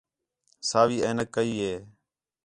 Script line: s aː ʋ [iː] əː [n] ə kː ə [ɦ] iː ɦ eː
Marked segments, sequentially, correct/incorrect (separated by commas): correct, correct, incorrect